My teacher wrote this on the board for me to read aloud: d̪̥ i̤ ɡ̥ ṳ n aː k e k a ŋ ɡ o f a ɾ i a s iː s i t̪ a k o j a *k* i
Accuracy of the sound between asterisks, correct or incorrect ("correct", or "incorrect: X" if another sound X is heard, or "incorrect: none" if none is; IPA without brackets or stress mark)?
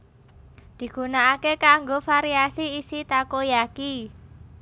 correct